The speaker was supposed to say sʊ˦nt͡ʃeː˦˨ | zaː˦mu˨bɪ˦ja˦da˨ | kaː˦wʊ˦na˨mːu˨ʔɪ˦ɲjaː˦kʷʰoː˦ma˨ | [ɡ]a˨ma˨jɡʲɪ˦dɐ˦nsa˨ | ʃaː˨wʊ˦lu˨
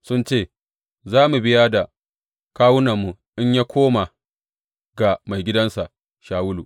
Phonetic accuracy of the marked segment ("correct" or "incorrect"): correct